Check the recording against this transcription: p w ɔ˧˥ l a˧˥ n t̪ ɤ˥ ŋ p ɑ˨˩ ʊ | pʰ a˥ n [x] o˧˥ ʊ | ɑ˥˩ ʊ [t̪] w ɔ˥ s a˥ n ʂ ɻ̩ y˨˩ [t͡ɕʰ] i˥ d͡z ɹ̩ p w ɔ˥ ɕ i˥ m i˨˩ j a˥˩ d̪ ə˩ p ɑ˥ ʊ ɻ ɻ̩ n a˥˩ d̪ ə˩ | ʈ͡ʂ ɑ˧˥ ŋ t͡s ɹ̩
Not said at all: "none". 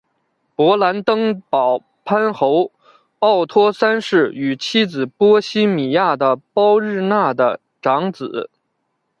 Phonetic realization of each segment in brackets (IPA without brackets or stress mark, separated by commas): x, t̪ʰ, t͡ɕʰ